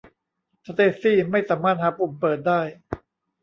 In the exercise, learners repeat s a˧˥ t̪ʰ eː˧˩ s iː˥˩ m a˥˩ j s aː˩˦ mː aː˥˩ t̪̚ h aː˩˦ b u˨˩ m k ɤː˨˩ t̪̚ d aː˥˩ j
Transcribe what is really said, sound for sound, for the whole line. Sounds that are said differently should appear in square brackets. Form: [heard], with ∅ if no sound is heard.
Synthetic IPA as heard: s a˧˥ [t̪] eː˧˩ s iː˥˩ m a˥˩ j s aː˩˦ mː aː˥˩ t̪̚ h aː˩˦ [p] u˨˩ m [p] ɤː˨˩ t̪̚ d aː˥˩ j